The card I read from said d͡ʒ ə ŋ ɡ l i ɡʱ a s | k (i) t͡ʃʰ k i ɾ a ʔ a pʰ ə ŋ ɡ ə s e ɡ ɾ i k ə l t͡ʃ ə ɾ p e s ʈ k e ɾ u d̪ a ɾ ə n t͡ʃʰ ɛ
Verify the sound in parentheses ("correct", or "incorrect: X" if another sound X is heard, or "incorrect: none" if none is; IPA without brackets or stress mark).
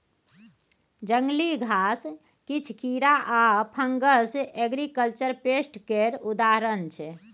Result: correct